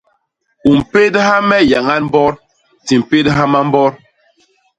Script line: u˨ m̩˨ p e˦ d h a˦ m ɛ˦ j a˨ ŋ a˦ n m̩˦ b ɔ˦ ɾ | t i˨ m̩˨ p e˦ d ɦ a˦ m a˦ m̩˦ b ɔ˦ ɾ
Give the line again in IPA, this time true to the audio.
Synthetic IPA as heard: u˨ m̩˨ p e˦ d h a˦ m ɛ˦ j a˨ ŋ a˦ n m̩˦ b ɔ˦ ɾ | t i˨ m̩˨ p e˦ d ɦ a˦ m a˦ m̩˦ b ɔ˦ ɾ